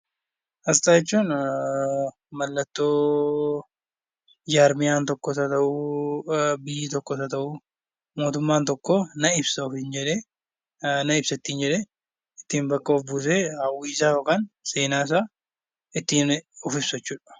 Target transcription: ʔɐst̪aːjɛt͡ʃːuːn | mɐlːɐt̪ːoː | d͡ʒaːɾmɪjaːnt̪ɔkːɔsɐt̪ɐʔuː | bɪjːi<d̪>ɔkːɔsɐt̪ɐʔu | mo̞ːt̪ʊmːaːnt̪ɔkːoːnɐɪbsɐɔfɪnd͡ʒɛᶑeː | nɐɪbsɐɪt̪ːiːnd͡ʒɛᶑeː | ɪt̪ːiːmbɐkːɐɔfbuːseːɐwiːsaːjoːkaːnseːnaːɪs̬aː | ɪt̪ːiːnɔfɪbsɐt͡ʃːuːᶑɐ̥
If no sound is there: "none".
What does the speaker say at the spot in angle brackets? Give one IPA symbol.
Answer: t̪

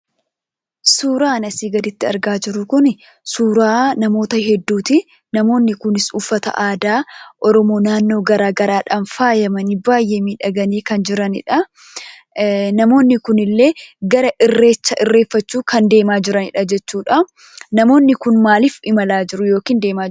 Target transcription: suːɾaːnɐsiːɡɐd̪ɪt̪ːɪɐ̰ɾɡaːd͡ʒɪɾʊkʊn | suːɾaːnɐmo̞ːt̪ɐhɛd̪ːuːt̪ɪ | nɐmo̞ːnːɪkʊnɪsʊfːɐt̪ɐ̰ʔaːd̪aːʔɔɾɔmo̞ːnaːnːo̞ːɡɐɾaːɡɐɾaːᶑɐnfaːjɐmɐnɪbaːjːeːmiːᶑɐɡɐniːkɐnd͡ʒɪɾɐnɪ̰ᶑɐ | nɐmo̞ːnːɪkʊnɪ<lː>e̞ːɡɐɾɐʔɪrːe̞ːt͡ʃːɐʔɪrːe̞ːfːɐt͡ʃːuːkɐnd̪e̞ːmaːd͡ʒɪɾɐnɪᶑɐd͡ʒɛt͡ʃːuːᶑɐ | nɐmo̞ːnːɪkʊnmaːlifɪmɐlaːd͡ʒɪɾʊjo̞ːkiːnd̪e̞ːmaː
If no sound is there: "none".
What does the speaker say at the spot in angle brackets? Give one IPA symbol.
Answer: lː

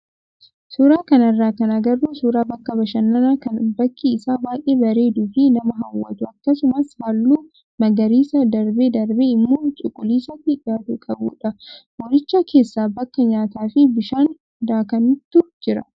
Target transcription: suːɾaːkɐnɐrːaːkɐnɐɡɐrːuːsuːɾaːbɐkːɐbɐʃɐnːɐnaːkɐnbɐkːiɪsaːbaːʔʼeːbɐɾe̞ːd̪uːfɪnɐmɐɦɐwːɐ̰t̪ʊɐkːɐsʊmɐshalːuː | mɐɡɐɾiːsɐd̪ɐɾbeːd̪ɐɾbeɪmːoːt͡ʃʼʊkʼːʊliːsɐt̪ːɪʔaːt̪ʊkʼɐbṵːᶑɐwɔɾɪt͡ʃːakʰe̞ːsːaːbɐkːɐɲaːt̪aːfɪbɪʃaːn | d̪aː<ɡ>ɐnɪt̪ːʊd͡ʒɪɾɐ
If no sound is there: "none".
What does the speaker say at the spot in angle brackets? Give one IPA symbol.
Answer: k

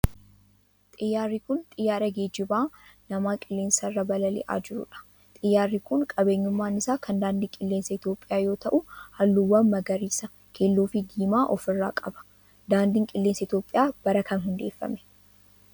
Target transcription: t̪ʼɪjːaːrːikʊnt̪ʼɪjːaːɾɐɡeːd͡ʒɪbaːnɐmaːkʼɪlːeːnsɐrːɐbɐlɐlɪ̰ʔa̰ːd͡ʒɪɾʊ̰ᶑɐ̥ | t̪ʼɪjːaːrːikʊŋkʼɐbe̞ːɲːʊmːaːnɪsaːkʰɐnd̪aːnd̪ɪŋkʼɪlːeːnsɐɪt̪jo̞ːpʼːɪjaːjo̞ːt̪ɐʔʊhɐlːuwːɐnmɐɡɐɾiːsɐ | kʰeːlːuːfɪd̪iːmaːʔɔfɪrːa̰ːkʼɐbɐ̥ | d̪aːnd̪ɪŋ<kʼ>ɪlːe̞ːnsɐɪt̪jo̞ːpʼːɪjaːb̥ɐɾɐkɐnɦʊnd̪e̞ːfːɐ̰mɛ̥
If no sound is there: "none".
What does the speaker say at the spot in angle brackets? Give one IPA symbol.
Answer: kʼ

